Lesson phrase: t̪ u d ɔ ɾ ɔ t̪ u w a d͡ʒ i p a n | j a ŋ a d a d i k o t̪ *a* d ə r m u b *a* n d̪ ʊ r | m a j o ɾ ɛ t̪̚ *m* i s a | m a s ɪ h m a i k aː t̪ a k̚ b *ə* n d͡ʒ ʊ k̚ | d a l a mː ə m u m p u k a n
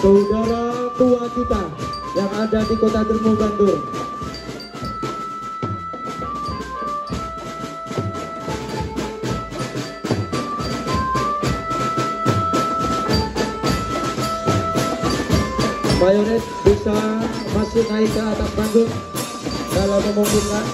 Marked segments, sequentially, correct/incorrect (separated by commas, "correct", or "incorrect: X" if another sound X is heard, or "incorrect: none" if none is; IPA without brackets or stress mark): correct, correct, incorrect: b, incorrect: a